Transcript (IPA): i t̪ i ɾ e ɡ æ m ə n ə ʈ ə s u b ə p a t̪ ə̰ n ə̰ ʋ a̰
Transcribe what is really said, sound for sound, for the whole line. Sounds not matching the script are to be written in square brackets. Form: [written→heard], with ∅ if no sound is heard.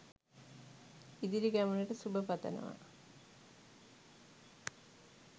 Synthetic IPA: i [t̪→d̪] i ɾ [e→i] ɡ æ m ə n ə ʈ ə s u b ə p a t̪ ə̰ n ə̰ ʋ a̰